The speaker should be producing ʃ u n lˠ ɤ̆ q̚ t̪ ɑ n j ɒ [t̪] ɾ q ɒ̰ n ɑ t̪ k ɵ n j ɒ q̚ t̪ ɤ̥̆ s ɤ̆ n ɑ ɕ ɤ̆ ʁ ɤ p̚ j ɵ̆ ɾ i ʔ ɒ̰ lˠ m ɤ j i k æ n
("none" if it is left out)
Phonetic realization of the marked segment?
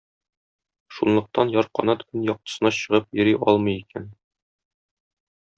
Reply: none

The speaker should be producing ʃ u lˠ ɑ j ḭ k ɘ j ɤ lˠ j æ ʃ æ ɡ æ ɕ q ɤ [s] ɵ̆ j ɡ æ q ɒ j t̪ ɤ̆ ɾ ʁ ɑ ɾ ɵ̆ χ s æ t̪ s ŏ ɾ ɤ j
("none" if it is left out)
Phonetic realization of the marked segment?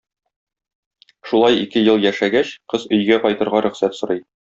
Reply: z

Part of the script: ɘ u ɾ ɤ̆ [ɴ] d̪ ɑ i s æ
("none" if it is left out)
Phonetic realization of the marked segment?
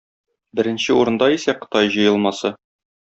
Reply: n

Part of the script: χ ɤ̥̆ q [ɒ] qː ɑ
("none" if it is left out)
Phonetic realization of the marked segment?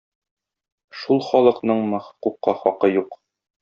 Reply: u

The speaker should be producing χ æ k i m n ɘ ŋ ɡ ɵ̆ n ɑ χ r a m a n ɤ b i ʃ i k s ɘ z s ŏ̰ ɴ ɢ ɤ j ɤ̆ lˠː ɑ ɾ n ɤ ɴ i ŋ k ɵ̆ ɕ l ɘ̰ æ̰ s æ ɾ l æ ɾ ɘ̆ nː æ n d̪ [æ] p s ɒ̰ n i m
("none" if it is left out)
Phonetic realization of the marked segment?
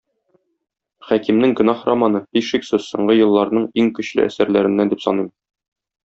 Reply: i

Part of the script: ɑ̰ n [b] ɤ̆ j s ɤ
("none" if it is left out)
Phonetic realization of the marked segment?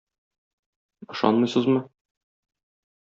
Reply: m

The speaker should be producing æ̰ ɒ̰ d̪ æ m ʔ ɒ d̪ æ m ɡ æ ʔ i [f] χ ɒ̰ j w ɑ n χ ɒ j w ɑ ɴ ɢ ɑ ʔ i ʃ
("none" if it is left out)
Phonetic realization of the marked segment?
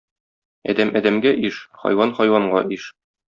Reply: ʃ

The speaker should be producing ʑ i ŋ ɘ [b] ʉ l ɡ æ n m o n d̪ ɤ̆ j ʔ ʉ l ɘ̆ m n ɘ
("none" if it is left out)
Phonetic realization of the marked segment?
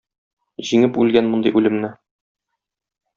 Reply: p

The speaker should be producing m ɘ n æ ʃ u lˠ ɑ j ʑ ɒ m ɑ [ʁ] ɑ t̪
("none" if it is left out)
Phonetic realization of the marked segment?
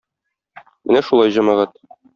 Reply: ʁ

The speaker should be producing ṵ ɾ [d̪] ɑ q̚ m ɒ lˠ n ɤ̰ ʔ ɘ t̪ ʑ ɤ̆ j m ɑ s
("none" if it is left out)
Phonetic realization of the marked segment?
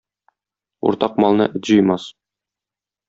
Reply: t̪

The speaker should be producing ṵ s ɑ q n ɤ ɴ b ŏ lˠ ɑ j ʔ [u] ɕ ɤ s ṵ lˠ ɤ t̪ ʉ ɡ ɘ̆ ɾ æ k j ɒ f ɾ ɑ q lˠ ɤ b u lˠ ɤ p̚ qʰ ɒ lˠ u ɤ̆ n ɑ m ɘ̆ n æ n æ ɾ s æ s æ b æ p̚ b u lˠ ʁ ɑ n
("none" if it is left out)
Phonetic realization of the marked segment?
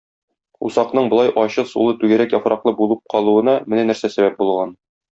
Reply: ɒ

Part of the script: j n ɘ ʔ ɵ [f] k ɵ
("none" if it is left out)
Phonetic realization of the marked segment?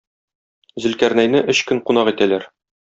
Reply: ɕ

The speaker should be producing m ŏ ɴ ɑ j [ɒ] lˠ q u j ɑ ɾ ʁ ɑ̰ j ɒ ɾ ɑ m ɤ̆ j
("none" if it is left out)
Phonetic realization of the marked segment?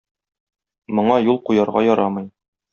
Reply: u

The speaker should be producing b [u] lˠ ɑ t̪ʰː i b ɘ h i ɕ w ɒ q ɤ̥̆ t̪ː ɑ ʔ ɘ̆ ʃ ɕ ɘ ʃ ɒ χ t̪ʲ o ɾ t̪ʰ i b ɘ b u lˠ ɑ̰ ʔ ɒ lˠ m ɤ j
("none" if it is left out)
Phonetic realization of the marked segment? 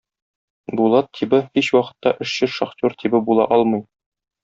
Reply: u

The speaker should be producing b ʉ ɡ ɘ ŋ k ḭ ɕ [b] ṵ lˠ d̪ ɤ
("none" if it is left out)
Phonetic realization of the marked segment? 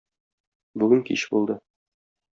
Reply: b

